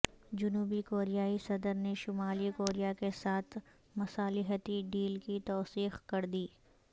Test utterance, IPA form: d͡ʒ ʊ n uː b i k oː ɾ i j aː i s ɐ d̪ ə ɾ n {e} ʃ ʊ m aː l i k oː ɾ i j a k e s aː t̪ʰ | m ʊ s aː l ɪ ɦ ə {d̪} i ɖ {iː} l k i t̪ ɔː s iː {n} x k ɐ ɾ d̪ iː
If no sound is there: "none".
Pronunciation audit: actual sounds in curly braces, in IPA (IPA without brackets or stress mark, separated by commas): e, t̪, iː, none